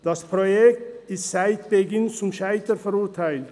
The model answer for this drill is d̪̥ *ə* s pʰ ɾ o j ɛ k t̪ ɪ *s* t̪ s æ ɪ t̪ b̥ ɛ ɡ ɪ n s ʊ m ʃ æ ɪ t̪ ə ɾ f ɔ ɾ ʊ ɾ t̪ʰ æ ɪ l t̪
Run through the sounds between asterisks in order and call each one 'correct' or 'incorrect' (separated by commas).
incorrect, correct